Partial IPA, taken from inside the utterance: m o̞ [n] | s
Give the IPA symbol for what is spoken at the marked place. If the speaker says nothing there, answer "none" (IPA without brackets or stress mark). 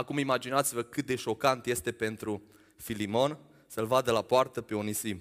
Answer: n